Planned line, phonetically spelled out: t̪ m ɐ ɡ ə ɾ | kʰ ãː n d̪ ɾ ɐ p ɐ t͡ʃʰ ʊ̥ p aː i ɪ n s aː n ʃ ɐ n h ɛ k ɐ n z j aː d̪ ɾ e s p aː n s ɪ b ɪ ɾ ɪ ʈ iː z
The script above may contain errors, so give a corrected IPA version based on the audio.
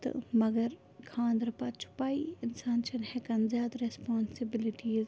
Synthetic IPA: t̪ m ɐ ɡ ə ɾ | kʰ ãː n d̪ ɾ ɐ p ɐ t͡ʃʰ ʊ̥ p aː i ɪ n s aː n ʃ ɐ n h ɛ k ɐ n z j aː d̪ ɾ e s p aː n s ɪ b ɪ l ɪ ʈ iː z